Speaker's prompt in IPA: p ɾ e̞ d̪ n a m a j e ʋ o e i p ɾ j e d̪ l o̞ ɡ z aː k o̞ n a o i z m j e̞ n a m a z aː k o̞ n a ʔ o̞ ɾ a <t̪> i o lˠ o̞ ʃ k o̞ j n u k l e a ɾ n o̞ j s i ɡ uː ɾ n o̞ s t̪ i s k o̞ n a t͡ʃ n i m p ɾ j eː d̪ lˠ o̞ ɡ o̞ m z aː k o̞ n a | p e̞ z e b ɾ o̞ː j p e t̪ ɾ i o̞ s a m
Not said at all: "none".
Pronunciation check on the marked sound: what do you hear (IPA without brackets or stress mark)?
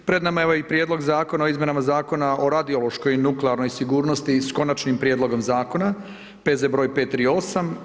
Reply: d̪